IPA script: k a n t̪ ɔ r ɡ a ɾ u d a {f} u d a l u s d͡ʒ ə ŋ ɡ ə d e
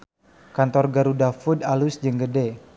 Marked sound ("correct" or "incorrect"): correct